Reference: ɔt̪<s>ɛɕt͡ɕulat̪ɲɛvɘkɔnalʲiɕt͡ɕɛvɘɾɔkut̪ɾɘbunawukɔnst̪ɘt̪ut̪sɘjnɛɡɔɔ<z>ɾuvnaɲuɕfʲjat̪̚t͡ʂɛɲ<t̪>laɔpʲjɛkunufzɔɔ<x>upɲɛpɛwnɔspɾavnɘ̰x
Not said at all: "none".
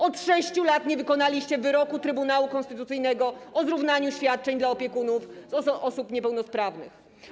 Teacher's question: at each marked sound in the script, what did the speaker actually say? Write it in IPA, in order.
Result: ʂ, z, d̪, s

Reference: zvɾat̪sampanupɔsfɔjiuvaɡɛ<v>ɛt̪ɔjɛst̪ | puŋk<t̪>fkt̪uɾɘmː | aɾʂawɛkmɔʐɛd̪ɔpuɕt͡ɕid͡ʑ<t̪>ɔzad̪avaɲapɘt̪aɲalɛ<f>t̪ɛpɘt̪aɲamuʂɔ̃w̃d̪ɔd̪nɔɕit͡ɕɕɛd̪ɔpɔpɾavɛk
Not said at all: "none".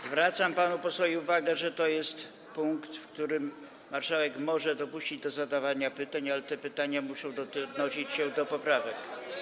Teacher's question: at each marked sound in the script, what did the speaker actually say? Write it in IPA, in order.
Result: ʐ, t̪, d̪, none

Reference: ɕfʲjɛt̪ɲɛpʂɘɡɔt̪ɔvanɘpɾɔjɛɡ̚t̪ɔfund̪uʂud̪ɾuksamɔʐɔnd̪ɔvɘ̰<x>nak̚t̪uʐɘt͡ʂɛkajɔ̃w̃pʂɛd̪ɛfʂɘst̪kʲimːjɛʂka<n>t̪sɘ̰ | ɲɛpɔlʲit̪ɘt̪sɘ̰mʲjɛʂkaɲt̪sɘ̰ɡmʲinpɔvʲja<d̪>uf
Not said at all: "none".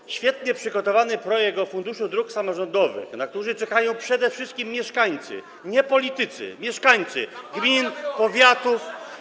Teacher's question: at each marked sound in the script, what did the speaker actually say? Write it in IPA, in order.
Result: x, ɲ, t̪

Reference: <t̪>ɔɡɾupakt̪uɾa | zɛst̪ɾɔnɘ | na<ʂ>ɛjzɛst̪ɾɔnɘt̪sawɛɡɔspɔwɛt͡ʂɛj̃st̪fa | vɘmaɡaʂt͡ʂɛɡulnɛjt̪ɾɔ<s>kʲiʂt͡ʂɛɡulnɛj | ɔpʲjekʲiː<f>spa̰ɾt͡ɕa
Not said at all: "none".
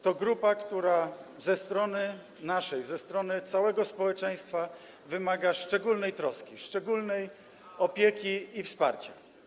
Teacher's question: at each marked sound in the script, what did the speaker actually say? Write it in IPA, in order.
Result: t̪, ʂ, s, f

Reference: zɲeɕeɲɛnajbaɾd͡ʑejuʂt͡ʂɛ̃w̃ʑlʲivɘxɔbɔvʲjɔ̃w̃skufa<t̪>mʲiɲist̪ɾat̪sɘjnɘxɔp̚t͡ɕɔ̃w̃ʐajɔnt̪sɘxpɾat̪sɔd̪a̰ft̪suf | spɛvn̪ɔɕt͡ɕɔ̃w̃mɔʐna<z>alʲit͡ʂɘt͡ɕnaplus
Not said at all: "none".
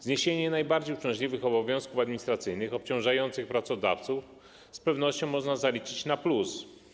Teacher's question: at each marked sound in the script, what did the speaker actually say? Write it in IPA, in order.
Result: d̪, z

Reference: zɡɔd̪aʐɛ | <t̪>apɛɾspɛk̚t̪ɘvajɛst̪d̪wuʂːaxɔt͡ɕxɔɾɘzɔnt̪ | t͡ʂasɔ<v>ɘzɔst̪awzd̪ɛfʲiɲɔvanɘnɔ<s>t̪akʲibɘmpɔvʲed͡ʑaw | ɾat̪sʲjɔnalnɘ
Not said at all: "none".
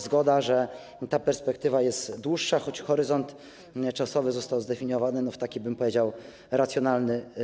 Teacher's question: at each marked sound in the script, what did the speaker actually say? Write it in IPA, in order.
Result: t̪, v, f

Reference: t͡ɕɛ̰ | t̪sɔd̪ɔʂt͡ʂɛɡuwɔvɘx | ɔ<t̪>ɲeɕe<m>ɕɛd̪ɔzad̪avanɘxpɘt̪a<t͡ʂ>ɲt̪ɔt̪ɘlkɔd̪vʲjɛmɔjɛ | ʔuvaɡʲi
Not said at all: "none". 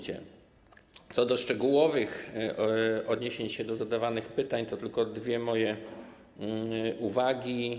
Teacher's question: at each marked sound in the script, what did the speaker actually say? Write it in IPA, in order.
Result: d̪, ɲ, none

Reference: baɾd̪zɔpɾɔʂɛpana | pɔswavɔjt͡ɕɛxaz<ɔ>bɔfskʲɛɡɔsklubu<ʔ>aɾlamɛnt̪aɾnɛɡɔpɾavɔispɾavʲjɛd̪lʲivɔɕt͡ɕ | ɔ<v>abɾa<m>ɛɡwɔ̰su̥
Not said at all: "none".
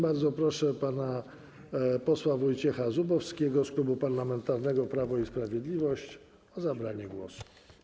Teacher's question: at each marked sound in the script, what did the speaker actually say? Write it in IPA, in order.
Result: u, p, z, ɲ

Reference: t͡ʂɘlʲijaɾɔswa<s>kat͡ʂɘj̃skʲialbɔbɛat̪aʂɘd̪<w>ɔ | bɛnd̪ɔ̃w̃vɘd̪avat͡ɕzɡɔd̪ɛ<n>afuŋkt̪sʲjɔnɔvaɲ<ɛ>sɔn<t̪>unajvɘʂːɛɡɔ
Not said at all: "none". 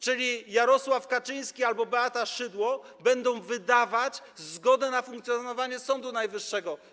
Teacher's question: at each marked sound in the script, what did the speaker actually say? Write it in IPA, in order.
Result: f, w, n, ɛ, d̪

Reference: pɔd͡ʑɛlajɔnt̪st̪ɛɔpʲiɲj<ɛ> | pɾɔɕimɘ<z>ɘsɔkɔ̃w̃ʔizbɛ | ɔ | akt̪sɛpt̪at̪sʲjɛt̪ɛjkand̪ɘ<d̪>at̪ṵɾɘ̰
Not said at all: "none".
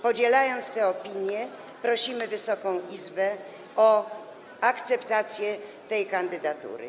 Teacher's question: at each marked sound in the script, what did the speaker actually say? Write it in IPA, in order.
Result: ɛ, v, d̪

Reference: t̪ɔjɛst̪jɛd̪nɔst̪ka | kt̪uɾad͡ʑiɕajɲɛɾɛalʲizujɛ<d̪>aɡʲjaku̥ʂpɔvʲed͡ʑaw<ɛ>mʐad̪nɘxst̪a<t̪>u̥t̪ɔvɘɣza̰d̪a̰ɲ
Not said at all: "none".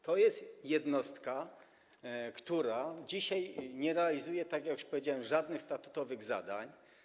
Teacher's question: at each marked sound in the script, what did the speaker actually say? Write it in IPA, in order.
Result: t̪, ɛ, t̪

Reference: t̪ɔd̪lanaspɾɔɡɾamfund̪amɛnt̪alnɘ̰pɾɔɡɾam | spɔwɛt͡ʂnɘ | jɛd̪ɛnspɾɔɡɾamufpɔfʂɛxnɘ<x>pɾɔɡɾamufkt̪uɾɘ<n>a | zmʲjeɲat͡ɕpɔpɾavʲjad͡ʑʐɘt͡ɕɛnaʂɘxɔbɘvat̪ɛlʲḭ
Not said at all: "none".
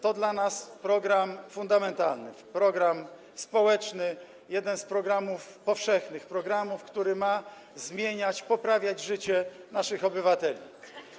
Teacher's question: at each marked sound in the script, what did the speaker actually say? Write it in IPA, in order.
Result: x, m

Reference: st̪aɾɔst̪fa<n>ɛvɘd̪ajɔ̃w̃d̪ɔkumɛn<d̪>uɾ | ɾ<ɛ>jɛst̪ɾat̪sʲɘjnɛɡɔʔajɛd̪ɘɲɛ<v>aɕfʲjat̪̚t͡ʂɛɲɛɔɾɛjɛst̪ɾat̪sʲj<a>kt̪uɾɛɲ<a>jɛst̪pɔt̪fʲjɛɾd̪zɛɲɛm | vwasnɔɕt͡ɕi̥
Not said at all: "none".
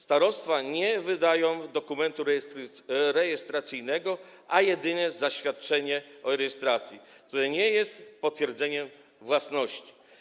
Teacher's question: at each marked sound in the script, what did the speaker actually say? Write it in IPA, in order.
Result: ɲ, t̪, ɛ, z, i, ɛ

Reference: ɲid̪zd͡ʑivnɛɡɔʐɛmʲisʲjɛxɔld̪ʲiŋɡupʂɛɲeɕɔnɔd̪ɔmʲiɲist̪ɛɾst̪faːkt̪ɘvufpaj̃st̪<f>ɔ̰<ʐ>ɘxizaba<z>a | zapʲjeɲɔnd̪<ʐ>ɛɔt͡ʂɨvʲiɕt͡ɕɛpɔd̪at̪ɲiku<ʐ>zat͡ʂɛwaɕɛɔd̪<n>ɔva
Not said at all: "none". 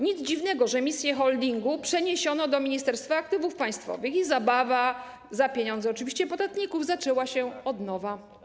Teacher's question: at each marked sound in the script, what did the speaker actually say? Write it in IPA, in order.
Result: f, v, v, z, v, n

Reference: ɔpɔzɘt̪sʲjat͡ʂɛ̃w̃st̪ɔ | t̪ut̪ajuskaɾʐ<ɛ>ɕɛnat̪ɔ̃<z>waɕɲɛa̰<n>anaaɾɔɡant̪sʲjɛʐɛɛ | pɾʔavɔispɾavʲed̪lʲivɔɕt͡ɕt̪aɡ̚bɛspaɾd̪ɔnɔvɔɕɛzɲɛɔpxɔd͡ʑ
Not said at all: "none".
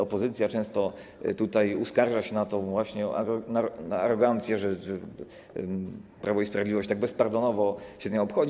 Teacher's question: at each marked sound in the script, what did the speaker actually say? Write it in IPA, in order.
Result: a, v, n

